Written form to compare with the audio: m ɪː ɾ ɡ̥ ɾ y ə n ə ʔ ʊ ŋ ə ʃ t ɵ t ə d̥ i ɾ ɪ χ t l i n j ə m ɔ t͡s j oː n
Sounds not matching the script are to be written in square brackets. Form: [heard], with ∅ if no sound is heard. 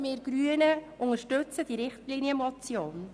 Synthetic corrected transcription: m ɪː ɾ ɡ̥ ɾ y ə n ə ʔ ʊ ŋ ə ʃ t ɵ [t͡s] ə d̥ i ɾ ɪ χ t l i n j ə m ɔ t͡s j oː n